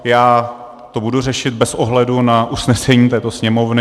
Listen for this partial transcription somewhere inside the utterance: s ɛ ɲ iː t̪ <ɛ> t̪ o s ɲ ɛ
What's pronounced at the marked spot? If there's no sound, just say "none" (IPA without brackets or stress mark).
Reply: ɛː